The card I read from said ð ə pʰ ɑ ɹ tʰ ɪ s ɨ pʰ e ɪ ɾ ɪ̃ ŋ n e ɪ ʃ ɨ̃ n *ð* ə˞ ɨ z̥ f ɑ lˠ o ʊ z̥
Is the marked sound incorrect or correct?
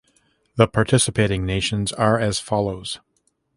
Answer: incorrect